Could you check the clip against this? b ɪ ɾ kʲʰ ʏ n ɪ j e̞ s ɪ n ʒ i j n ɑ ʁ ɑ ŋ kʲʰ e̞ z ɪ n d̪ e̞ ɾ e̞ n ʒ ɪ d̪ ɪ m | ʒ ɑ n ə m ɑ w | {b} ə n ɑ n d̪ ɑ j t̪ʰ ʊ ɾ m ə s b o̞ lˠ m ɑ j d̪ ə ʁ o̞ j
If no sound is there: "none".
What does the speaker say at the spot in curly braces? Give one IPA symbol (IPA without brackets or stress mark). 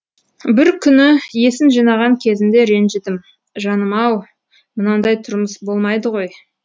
m